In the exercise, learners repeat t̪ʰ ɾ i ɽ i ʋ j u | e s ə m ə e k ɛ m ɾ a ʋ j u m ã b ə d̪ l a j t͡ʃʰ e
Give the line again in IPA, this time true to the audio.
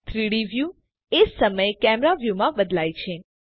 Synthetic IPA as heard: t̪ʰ ɾ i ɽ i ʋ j u | e s ə m ə e k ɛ m ɾ a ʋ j u m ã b ə d̪ l a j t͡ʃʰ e